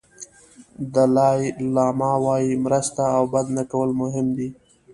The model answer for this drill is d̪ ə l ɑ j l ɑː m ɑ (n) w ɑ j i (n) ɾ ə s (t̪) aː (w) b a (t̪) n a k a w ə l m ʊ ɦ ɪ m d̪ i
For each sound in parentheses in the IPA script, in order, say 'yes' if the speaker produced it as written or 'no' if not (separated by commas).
no, no, yes, yes, no